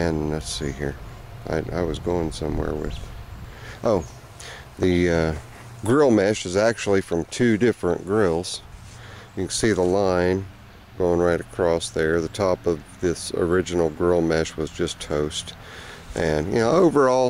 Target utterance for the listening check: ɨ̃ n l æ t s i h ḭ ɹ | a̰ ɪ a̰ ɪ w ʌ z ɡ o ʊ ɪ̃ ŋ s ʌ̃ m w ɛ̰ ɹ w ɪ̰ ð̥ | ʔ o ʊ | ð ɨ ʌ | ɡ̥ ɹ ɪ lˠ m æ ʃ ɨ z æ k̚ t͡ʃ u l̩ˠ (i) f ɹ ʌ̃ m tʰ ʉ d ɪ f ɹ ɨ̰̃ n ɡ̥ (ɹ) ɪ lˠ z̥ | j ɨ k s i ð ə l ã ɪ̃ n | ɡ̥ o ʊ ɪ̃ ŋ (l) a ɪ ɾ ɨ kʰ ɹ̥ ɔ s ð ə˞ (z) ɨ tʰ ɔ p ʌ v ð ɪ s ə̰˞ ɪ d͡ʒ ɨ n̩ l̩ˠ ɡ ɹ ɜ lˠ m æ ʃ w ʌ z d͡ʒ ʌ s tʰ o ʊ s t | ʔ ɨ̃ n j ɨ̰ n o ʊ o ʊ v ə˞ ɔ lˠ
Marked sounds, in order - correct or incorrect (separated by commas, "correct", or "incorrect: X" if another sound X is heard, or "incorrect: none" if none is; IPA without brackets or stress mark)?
correct, correct, incorrect: ɹ, incorrect: ð